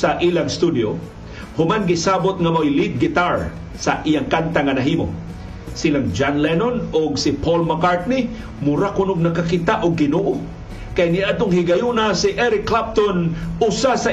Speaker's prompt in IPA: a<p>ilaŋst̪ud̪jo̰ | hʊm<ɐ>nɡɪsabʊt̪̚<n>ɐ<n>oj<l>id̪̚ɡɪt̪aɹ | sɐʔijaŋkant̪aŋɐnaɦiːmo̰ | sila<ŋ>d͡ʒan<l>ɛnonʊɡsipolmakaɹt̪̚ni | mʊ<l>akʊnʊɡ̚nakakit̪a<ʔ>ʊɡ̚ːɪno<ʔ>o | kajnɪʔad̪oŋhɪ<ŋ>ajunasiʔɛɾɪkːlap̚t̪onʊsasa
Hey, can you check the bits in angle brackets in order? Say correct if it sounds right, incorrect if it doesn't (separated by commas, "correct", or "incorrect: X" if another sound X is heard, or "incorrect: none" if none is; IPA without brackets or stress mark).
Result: incorrect: ʔ, incorrect: a, incorrect: ŋ, incorrect: m, correct, correct, correct, incorrect: ɾ, correct, correct, incorrect: ɡ